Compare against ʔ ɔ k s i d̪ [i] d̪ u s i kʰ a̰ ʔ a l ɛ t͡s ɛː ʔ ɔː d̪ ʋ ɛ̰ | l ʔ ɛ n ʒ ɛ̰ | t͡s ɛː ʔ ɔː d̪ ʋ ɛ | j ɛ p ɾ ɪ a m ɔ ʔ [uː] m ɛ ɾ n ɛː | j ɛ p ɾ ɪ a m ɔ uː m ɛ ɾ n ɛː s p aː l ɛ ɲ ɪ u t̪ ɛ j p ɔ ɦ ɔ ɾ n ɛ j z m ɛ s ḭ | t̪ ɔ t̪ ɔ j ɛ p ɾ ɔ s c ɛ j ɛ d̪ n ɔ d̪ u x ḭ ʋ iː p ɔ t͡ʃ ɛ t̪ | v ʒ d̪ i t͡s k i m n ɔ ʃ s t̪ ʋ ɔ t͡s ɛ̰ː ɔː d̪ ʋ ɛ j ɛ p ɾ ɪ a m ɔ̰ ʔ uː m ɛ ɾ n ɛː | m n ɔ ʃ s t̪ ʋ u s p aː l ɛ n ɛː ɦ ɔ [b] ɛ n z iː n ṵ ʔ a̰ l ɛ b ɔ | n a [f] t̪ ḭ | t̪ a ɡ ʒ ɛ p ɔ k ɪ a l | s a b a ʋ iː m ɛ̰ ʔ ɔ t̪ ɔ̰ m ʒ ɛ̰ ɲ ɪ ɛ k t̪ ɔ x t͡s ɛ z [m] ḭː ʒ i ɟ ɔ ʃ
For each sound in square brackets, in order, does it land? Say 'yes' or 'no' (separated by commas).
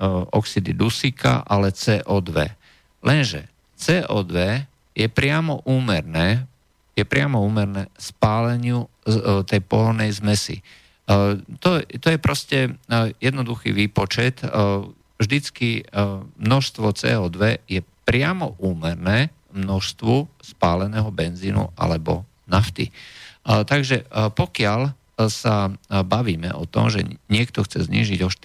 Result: yes, yes, yes, yes, no